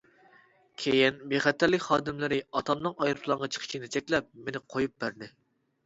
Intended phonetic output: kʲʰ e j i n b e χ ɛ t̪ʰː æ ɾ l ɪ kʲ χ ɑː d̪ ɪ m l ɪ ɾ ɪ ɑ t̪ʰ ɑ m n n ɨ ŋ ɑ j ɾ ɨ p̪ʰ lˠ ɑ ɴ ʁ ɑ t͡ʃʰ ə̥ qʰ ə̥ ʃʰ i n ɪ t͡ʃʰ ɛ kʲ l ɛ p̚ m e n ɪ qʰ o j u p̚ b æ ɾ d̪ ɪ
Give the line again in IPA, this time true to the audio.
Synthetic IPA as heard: kʲʰ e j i n b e χ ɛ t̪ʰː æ ɾ l ɪ kʲ χ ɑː d̪ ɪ m l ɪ ɾ ɪ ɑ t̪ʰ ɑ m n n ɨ ŋ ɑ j ɾ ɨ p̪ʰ lˠ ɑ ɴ ʁ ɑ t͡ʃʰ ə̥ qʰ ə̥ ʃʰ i n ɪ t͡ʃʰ ɛ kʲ l ɛ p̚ m e n ɪ qʰ o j u p̚ b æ ɾ d̪ ɪ